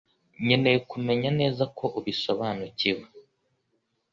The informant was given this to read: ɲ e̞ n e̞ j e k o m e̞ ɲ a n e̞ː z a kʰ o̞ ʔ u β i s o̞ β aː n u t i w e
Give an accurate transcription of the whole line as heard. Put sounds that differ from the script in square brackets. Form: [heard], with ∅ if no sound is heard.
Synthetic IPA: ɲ e̞ n e̞ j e k [u] m e̞ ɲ a n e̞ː z a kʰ o̞ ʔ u β i s o̞ β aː n u [c] i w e